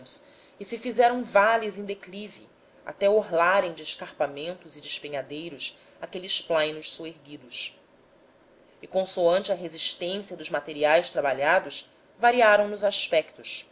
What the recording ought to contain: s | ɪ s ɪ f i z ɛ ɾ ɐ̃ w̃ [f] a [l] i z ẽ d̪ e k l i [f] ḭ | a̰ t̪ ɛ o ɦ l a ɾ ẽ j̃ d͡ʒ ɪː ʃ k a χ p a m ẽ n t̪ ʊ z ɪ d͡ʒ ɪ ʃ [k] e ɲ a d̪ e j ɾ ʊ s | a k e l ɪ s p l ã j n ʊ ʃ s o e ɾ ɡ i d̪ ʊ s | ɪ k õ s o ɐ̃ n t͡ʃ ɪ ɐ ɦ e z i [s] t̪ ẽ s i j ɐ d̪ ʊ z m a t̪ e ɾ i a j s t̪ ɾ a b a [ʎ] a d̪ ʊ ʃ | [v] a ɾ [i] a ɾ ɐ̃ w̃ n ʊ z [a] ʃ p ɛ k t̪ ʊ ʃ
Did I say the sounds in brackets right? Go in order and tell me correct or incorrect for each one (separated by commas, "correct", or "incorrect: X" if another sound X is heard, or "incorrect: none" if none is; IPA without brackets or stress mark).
incorrect: v, correct, incorrect: v, incorrect: p, incorrect: ʃ, correct, correct, correct, correct